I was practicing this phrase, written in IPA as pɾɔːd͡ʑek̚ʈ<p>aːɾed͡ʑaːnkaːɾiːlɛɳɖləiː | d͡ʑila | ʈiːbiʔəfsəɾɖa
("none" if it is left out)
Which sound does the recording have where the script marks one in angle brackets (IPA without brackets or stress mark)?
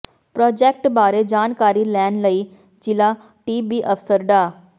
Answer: b